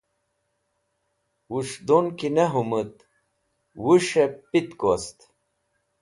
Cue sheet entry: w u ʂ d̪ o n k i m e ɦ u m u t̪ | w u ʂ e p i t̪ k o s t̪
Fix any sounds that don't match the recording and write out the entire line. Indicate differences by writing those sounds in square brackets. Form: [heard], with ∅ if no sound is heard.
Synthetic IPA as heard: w u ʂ d̪ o n k i [n] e ɦ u m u t̪ | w u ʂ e p i t̪ k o s t̪